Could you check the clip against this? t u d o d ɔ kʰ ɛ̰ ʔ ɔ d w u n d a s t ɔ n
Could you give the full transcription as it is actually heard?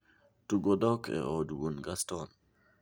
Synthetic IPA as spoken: t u ɡ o d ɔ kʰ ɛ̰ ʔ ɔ d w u n ɡ a s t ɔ n